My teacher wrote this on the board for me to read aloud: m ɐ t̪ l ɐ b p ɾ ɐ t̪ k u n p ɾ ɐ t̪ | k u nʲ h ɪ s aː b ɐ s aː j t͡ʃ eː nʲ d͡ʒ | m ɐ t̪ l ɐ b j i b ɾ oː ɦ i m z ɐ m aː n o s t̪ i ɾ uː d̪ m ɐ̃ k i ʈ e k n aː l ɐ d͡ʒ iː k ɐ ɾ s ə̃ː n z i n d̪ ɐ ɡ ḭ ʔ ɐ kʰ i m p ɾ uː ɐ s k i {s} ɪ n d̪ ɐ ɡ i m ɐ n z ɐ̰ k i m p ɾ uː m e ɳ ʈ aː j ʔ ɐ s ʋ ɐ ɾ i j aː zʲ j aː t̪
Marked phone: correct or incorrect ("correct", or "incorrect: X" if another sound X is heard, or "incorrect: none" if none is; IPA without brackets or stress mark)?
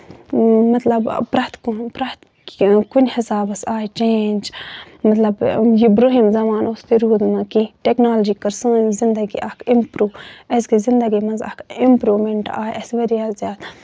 incorrect: z